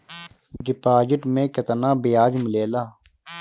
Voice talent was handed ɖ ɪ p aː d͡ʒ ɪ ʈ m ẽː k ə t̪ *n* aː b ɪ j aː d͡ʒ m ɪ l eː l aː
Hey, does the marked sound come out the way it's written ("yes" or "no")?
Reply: yes